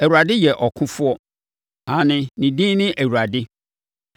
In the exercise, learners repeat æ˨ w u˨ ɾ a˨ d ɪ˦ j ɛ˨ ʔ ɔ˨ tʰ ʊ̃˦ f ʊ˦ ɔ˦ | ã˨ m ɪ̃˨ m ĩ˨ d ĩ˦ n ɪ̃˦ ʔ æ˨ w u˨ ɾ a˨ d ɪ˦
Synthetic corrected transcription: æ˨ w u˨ ɾ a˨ d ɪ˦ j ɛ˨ ʔ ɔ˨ kʰ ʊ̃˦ f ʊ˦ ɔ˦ | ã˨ n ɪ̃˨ n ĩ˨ d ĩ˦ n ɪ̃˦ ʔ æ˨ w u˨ ɾ a˨ d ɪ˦